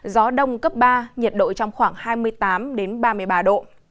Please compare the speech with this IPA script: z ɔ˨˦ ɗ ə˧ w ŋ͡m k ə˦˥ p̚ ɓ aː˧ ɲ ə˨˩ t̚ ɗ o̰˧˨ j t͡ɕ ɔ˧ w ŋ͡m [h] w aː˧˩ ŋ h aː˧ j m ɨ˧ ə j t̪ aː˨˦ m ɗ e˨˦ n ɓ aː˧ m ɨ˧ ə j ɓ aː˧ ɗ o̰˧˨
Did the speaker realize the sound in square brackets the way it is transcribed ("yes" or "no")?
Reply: no